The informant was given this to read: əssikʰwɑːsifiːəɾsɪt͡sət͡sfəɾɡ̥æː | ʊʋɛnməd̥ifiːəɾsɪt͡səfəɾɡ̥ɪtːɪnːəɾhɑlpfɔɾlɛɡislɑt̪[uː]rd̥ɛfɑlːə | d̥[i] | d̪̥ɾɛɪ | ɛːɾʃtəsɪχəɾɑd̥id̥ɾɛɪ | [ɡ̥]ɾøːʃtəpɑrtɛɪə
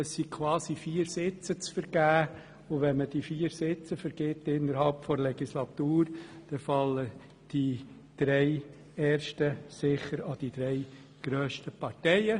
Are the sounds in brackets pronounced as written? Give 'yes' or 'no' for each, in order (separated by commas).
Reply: yes, yes, yes